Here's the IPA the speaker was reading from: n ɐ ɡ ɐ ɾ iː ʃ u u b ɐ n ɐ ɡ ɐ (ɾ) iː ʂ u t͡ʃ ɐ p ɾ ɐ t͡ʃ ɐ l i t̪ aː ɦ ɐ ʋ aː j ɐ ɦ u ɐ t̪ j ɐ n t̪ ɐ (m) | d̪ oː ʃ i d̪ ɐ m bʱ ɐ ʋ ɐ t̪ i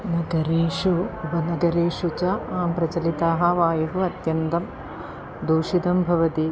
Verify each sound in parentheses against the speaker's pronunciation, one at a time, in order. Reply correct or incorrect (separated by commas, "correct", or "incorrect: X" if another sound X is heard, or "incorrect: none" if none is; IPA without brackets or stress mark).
correct, correct